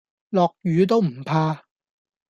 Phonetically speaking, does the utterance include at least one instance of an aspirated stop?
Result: yes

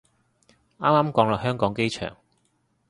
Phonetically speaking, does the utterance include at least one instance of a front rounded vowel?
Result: yes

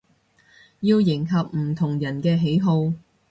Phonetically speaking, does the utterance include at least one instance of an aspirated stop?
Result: yes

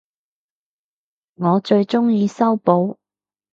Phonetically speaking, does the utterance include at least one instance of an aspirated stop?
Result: no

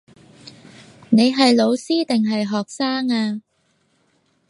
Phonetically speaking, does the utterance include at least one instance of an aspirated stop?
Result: no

